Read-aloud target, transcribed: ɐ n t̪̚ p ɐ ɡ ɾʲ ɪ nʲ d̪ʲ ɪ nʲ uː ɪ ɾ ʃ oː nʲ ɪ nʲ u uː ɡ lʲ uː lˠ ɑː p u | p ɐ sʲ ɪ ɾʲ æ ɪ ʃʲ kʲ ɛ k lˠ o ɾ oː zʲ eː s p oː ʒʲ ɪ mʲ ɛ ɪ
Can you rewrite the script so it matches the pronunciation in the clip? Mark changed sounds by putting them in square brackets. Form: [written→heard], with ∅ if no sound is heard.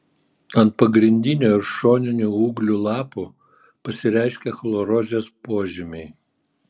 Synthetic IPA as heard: ɐ n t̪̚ p ɐ ɡ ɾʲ ɪ nʲ d̪ʲ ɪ nʲ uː ɪ ɾ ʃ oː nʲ ɪ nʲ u uː ɡ lʲ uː lˠ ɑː p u | p ɐ sʲ ɪ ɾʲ æ ɪ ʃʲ kʲ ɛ [k→x] lˠ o ɾ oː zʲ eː s p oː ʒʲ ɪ mʲ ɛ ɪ